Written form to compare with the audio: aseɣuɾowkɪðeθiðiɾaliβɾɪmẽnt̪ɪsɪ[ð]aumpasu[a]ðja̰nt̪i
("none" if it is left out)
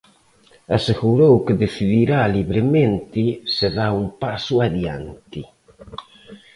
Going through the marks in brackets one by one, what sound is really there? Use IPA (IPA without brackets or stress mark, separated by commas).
ð, a